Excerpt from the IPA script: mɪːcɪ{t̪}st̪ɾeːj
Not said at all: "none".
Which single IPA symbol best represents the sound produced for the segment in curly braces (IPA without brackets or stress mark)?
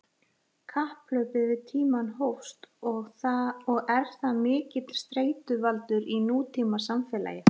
t̪